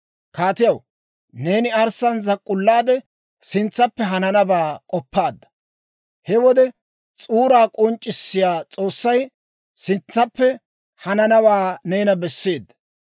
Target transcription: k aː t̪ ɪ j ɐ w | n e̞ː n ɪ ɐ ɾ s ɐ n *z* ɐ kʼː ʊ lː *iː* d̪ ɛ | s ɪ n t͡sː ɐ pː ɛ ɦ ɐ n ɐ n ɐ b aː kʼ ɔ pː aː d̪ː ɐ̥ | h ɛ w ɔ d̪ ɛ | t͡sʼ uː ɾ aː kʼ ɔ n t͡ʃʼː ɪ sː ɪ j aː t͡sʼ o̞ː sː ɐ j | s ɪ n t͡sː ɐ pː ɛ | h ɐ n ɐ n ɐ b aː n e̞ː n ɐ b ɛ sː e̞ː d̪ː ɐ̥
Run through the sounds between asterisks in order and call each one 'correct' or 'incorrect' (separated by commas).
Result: correct, incorrect